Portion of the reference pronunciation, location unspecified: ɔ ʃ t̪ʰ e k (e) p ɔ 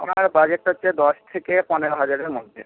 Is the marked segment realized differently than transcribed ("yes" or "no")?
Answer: no